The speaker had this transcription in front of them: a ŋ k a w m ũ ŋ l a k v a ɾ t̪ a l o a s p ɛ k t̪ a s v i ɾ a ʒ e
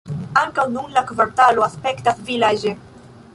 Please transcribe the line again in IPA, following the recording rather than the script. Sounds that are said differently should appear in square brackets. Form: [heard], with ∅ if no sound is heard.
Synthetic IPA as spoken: a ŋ k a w [n] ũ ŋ l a k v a ɾ t̪ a l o a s p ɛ k t̪ a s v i [l] a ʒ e

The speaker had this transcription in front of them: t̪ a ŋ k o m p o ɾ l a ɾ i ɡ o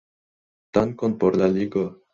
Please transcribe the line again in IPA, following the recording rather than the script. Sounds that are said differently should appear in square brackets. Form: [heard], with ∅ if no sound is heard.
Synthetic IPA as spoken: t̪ a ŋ k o [n] p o ɾ l a [l] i ɡ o

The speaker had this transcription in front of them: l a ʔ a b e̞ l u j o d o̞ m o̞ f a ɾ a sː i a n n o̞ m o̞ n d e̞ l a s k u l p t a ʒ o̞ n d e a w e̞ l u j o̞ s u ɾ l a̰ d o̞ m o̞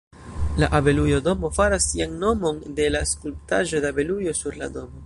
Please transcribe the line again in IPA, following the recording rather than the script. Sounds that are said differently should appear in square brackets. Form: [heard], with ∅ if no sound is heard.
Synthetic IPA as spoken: l a ʔ a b e̞ l u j o d o̞ m o̞ f a ɾ a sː i a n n o̞ m o̞ n d e̞ l a s k u l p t a ʒ o̞ [∅] d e a [b] e̞ l u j o̞ s u ɾ l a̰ d o̞ m o̞

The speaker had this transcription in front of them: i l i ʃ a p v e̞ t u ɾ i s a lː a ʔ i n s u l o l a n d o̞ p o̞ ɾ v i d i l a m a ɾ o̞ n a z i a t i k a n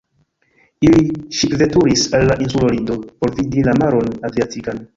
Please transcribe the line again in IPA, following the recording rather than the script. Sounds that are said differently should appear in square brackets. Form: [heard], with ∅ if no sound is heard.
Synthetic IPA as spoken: i l i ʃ [i] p v e̞ t u ɾ i s a lː a ʔ i n s u l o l [i] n d o̞ p o̞ ɾ v i d i l a m a ɾ o̞ n a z i a t i k a n

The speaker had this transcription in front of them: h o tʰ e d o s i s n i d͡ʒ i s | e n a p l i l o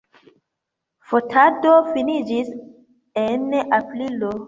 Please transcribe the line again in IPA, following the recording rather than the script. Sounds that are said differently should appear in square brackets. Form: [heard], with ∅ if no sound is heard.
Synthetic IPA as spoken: [f] o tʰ [a] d o [f] i [∅] n i d͡ʒ i s | e n a p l i l o

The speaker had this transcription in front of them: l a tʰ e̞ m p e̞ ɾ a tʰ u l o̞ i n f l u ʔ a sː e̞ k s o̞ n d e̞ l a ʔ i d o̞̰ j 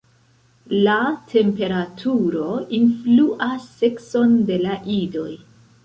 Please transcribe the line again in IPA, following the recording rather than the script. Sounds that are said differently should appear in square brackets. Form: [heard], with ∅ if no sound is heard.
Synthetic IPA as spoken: l a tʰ e̞ m p e̞ ɾ a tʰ u [ɾ] o̞ i n f l u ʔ a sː e̞ k s o̞ n d e̞ l a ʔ i d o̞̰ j

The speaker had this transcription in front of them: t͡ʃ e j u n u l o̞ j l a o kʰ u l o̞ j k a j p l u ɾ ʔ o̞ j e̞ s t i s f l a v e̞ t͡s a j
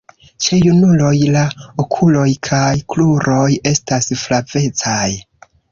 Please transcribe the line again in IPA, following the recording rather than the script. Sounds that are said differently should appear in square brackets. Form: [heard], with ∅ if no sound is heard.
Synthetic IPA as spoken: t͡ʃ e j u n u l o̞ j l a o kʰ u l o̞ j [kʰ] a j [k] l u ɾ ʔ o̞ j e̞ s t [a] s f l a v e̞ t͡s a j

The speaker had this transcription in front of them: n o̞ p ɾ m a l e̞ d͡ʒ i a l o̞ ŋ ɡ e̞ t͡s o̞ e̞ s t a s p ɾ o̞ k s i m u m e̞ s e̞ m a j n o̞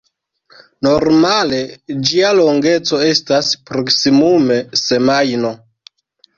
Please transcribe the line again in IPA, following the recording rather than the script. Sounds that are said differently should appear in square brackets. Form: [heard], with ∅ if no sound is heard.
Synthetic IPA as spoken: n o̞ [∅] ɾ m a l e̞ d͡ʒ i a l o̞ ŋ ɡ e̞ t͡s o̞ e̞ s t a s p ɾ o̞ k s i m u m e̞ s e̞ m a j n o̞

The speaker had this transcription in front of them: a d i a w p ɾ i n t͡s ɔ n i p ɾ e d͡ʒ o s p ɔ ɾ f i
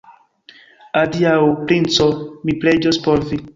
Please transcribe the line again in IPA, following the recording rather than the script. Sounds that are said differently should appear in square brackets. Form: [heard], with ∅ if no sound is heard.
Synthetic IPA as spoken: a d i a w p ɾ i n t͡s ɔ [m] i p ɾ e d͡ʒ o s p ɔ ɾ [v] i

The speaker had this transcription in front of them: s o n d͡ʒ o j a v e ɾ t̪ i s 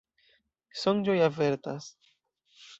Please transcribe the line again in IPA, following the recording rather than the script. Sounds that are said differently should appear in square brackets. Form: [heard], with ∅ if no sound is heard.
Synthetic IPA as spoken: s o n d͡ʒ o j a v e ɾ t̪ [a] s

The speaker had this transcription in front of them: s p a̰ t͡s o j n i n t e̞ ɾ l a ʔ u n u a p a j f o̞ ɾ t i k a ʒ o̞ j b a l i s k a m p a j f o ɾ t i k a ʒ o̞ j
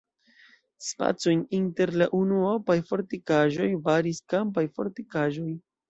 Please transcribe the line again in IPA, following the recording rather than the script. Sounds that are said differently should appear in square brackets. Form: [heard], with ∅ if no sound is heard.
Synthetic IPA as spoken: s p a̰ t͡s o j n i n t e̞ ɾ l a ʔ u n u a p a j f o̞ ɾ t i k a ʒ o̞ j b a [ɾ] i s k a m p a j f o ɾ t i k a ʒ o̞ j

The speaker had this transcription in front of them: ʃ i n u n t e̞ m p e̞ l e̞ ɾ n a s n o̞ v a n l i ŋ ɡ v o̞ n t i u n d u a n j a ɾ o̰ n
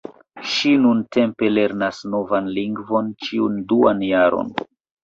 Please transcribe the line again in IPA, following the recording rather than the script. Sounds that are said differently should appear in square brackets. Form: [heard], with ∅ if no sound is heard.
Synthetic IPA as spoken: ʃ i n u n t e̞ m p e̞ l e̞ ɾ n a s n o̞ v a n l i ŋ ɡ v o̞ n [t͡ʃ] i u n d u a n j a ɾ o̰ n

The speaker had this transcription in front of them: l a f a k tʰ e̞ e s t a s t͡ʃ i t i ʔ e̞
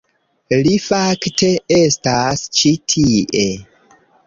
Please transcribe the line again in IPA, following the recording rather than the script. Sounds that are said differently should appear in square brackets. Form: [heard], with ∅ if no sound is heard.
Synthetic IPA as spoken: l [i] f a k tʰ e̞ e s t a s t͡ʃ i [tʰ] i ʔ e̞

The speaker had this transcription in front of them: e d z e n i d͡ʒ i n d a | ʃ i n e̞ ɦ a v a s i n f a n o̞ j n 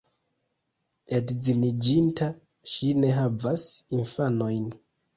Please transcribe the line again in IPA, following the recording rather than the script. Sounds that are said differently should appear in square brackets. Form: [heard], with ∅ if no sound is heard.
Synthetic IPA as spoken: e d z [i] n i d͡ʒ i n [t] a | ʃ i n e̞ ɦ a v a s i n f a n o̞ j n

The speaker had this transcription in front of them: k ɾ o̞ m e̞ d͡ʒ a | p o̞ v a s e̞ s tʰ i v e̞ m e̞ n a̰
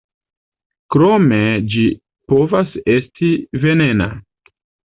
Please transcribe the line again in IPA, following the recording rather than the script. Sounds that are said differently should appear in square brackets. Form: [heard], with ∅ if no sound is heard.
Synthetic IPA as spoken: k ɾ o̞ m e̞ d͡ʒ [i] | p o̞ v a s e̞ s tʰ i v e̞ [n] e̞ n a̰

